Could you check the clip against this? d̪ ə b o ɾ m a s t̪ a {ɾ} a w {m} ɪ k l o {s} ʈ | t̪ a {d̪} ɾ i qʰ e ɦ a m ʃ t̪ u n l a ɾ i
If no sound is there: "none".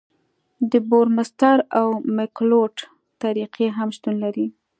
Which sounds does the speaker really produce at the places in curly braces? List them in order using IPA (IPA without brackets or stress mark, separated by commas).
ɾ, m, none, none